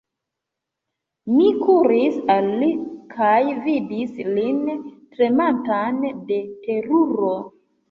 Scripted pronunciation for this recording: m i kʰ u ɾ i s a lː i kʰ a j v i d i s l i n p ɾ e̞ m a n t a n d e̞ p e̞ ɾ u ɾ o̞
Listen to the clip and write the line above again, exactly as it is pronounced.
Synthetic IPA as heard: m i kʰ u ɾ i s a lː i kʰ a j v i d i s l i n t ɾ e̞ m a n t a n d e̞ t e̞ ɾ u ɾ o̞

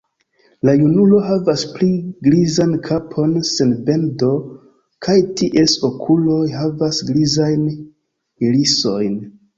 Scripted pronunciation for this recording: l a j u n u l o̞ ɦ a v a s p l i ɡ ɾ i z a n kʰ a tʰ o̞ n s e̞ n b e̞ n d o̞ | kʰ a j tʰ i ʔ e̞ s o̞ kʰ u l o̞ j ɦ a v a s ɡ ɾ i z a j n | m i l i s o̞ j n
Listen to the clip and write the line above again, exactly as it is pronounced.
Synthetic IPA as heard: l a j u n u l o̞ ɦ a v a s p l i ɡ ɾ i z a n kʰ a pʰ o̞ n s e̞ n b e̞ n d o̞ | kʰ a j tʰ i ʔ e̞ s o̞ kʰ u l o̞ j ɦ a v a s ɡ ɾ i z a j n | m i l i s o̞ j n

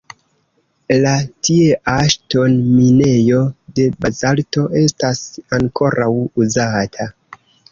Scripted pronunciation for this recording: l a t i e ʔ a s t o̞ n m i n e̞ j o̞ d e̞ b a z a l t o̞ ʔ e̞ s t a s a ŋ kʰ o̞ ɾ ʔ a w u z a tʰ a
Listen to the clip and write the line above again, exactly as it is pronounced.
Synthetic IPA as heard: l a t i e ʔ a ʃ t o̞ n m i n e̞ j o̞ d e̞ b a z a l t o̞ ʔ e̞ s t a s a ŋ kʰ o̞ ɾ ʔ a w u z a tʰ a

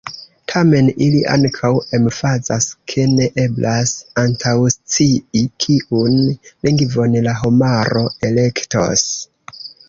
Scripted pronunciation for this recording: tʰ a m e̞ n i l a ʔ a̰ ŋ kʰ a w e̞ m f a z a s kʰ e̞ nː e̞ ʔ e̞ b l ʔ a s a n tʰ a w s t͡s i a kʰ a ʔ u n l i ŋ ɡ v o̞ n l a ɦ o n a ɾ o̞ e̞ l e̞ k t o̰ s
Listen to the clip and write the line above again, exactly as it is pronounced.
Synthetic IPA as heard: tʰ a m e̞ n i l i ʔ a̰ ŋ kʰ a w e̞ m f a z a s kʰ e̞ n e̞ ʔ e̞ b l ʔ a s a n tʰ a w s t͡s i i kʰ i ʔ u n l i ŋ ɡ v o̞ n l a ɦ o m a ɾ o̞ e̞ l e̞ k t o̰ s

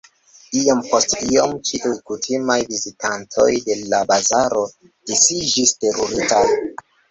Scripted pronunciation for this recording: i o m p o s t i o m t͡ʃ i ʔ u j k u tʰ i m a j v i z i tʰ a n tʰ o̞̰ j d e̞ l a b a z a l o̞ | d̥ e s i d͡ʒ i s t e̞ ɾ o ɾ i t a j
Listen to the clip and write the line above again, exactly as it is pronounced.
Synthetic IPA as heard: i o m p o s t i o m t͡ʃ i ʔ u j k u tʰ i m a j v i z i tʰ a n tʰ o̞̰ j d e̞ l a b a z a ɾ o̞ | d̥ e s i d͡ʒ i s t e̞ ɾ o ɾ i t a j

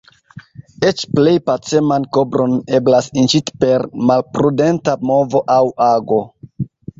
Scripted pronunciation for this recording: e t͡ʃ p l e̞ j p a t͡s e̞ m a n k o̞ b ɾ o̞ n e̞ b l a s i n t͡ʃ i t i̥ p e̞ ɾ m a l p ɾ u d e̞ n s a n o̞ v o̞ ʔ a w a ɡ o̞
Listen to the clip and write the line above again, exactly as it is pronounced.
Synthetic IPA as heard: e t͡ʃ p l e̞ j p a t͡s e̞ m a n k o̞ b ɾ o̞ n e̞ b l a s i n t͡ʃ i t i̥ p e̞ ɾ m a l p ɾ u d e̞ n t a m o̞ v o̞ ʔ a w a ɡ o̞

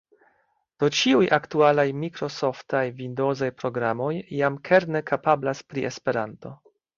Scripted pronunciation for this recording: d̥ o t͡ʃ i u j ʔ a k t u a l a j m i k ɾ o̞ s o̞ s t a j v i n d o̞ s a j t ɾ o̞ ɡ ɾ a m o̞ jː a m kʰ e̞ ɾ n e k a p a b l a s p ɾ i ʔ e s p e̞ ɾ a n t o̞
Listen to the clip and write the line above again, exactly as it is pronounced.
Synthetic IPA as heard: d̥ o t͡ʃ i u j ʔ a k t u a l a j m i k ɾ o̞ s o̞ f t a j v i n d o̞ z a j p ɾ o̞ ɡ ɾ a m o̞ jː a m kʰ e̞ ɾ n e k a p a b l a s p ɾ i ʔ e s p e̞ ɾ a n t o̞

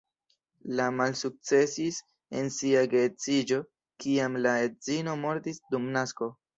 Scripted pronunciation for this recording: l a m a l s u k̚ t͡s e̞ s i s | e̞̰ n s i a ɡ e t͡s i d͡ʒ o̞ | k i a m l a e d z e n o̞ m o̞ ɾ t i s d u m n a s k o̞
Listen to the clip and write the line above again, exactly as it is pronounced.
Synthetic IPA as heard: l a m a l s u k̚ t͡s e̞ s i s | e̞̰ n s i a ɡ e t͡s i d͡ʒ o̞ | k i a m l a e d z i n o̞ m o̞ ɾ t i s d u m n a s k o̞

